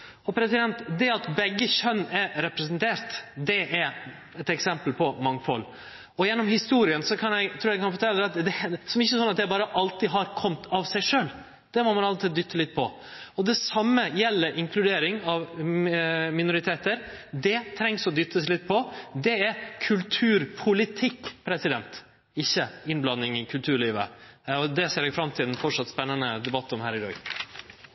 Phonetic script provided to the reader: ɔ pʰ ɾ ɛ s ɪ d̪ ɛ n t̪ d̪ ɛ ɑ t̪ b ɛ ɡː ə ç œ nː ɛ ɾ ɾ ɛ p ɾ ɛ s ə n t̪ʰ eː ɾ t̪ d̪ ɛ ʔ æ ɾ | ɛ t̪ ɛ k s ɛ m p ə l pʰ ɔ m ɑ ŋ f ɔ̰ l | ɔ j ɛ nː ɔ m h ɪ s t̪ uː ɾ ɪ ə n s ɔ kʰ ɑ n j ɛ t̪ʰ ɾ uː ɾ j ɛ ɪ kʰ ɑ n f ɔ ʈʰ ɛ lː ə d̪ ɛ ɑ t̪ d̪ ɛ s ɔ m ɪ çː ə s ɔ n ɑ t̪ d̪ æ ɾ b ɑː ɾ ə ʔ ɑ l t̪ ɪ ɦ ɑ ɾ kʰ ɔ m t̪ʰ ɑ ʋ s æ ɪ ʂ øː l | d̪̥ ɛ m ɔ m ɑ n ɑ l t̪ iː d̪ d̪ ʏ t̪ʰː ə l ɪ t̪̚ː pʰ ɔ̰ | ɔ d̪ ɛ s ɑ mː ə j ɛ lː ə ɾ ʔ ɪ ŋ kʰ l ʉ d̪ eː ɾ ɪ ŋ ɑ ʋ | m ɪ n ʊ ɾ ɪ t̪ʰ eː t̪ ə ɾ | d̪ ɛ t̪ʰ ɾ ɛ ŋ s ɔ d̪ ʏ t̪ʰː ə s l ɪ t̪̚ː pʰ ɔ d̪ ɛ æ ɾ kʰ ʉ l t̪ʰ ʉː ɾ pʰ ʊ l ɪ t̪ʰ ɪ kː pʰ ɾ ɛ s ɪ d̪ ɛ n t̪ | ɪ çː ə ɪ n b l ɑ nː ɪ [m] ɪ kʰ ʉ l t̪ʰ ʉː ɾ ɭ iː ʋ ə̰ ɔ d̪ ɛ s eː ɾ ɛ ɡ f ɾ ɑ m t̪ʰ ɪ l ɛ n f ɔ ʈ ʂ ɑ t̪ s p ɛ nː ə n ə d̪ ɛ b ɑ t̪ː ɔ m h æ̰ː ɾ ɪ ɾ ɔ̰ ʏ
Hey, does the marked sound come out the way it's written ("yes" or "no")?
no